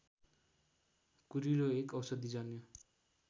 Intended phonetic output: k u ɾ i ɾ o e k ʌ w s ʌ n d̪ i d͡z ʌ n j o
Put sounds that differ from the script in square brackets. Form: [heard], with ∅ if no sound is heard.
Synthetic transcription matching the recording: k u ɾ i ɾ o e k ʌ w s ʌ [∅] d̪ i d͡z ʌ n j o